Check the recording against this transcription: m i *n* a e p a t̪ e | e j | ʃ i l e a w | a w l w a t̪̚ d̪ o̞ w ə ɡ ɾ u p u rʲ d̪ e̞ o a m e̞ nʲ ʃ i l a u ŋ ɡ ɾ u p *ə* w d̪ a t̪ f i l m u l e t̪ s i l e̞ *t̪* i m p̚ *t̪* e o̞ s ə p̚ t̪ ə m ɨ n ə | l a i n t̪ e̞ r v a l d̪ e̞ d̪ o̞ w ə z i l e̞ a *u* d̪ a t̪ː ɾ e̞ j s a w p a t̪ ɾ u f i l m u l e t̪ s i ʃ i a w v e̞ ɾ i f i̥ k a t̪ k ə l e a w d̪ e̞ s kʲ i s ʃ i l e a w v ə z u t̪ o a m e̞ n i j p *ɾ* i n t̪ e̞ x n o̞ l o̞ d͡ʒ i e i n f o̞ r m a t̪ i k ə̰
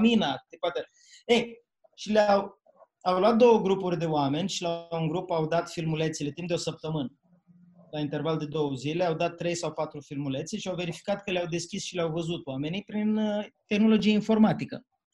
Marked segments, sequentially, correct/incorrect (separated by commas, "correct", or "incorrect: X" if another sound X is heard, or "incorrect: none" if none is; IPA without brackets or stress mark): correct, incorrect: a, correct, incorrect: d̪, incorrect: w, correct